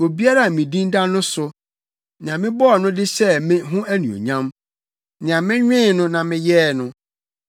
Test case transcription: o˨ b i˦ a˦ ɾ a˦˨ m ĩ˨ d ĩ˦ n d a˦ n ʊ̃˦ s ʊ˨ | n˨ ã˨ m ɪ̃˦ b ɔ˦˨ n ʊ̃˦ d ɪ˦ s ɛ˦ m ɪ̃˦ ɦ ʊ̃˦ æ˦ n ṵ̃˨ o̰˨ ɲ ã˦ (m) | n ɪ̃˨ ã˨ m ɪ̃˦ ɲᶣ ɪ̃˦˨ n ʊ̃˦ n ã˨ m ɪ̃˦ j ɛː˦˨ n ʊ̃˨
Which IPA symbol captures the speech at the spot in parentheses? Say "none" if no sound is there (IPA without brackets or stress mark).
m